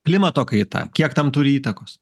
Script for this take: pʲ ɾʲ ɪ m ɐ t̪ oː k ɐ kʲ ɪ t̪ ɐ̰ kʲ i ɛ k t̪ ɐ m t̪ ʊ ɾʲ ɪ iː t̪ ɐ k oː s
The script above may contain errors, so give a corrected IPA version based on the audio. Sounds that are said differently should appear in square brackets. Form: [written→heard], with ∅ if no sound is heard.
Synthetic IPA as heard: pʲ [ɾʲ→lʲ] ɪ m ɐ t̪ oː k ɐ [kʲ→∅] ɪ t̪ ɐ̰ kʲ i ɛ k t̪ ɐ m t̪ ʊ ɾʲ ɪ iː t̪ ɐ k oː s